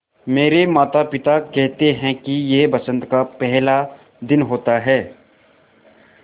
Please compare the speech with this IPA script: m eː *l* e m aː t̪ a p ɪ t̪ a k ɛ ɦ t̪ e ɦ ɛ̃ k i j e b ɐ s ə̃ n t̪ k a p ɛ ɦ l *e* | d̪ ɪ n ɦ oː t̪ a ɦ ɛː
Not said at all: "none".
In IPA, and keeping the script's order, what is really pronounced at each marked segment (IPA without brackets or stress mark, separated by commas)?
ɾ, a